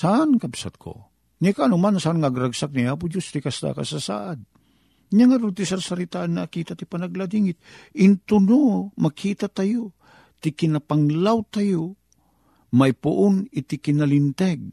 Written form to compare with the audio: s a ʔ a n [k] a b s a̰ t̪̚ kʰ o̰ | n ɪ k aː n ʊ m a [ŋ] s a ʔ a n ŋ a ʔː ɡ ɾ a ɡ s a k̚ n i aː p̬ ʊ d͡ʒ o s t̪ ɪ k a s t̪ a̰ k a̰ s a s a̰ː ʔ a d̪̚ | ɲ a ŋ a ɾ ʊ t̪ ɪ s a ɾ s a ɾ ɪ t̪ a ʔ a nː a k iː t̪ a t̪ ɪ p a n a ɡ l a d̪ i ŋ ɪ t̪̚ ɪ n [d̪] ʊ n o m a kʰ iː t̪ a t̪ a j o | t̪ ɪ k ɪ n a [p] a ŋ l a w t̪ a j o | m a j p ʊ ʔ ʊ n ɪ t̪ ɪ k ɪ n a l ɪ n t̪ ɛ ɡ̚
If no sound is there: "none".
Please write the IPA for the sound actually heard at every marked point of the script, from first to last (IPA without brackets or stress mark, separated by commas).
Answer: k, n, t̪, p